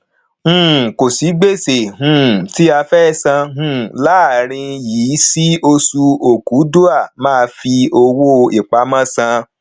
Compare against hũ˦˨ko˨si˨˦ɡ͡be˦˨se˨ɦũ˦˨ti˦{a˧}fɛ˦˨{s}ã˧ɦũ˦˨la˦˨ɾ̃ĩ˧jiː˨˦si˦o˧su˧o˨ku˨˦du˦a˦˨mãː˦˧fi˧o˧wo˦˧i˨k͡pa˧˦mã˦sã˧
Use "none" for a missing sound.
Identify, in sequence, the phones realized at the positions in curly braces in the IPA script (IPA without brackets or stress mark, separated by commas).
a˧, s